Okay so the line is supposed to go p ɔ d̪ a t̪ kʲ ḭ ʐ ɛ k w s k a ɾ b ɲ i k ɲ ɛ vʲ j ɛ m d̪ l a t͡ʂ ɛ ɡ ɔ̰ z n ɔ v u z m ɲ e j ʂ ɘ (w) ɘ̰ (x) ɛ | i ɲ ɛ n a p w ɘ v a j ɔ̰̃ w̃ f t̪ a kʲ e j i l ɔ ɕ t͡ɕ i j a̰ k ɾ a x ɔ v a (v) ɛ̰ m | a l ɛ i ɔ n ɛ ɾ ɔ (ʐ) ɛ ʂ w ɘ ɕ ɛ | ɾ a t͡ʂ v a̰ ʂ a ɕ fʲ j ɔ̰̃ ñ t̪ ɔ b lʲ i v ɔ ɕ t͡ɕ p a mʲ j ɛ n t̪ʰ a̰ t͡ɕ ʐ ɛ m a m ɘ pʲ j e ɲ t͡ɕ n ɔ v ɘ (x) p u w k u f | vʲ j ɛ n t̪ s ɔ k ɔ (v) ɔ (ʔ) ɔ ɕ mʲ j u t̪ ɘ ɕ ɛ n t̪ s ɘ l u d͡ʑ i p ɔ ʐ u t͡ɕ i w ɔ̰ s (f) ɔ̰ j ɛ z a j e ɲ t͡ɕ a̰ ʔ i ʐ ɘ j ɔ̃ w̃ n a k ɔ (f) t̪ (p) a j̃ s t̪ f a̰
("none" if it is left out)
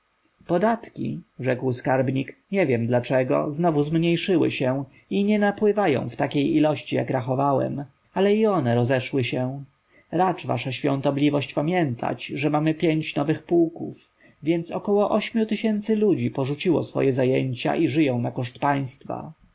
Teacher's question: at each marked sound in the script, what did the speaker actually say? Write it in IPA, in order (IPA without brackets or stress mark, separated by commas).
w, ɕ, w, z, x, w, ʔ, f, ʂ, p